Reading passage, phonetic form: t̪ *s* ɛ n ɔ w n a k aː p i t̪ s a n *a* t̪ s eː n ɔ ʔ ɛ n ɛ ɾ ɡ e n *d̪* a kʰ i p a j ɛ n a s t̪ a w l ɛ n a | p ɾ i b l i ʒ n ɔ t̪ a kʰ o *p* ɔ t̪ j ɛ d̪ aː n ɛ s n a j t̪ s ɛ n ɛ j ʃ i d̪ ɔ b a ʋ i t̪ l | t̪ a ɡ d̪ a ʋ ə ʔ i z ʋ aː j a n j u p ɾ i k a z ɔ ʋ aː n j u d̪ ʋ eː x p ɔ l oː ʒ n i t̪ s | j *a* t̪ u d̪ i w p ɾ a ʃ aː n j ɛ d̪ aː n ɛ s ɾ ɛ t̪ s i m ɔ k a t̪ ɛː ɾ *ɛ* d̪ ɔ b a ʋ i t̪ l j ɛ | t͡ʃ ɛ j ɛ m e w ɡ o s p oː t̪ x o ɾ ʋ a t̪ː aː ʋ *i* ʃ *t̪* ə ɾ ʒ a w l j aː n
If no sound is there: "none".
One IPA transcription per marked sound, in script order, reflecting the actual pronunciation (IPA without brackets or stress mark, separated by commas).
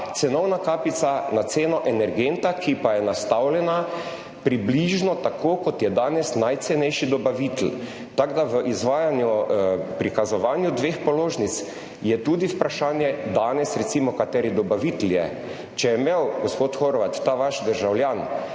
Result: s, a, t̪, k, ɛ, i, a, d̪